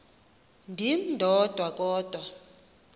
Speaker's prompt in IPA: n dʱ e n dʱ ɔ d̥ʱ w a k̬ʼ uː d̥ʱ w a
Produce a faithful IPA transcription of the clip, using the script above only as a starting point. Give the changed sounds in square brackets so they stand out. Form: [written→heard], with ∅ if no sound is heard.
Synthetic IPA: n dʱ [e→i] n dʱ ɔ d̥ʱ w a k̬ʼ [uː→ɔː] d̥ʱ w a